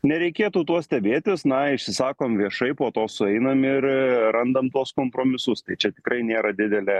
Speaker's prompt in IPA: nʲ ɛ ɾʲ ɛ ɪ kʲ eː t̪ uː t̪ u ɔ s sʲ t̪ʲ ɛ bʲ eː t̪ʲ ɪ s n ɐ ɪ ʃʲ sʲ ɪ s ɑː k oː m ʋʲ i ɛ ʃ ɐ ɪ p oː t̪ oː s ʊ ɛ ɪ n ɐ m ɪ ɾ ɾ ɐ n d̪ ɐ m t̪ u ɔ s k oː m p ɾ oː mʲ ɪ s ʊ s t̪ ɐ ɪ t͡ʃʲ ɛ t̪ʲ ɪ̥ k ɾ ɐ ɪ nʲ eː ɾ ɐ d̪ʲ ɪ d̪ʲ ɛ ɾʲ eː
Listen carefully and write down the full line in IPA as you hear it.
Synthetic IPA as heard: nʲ ɛ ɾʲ ɛ ɪ kʲ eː t̪ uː t̪ u ɔ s sʲ t̪ʲ ɛ bʲ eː t̪ʲ ɪ s n ɐ ɪ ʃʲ sʲ ɪ s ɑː k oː m ʋʲ i ɛ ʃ ɐ ɪ p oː t̪ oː s ʊ ɛ ɪ n ɐ m ɪ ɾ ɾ ɐ n d̪ ɐ m t̪ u ɔ s k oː m p ɾ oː mʲ ɪ s ʊ s t̪ ɐ ɪ t͡ʃʲ ɛ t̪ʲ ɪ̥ k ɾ ɐ ɪ nʲ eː ɾ ɐ d̪ʲ ɪ d̪ʲ ɛ lʲ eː